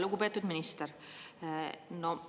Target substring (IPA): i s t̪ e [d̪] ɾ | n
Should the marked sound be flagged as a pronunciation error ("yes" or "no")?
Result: yes